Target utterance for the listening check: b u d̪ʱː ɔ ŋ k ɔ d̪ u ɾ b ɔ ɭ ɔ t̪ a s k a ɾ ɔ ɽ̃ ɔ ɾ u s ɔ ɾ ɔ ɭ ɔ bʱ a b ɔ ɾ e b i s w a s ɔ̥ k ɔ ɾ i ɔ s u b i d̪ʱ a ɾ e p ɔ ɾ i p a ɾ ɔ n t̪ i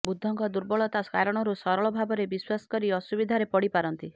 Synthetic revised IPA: b u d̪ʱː ɔ ŋ k ɔ d̪ u ɾ b ɔ ɭ ɔ t̪ a s k a ɾ ɔ ɽ̃ ɔ ɾ u s ɔ ɾ ɔ ɭ ɔ bʱ a b ɔ ɾ e b i s w a s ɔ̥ k ɔ ɾ i ɔ s u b i d̪ʱ a ɾ e p ɔ ɽ i p a ɾ ɔ n t̪ i